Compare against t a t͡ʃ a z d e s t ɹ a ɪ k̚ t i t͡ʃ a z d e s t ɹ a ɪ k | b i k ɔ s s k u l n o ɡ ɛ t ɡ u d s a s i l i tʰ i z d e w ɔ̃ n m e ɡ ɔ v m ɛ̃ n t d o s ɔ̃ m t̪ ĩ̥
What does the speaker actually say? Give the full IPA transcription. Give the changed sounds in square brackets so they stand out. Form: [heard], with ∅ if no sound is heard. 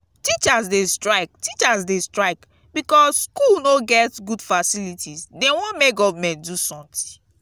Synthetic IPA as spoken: t [i] t͡ʃ a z d e s t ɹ a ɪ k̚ t i t͡ʃ a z d e s t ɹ a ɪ k | b i k ɔ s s k u l n o ɡ ɛ t ɡ u d [f] a s i l i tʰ i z d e w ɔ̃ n m e ɡ ɔ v m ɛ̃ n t d [u] s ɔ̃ m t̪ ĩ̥